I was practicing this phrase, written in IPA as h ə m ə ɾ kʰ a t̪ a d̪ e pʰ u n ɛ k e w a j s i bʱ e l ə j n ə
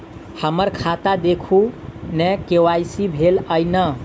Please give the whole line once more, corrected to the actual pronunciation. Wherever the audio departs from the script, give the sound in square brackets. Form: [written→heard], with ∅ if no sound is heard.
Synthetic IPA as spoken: h ə m ə ɾ kʰ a t̪ a d̪ e [pʰ→kʰ] u n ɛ k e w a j s i bʱ e l ə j n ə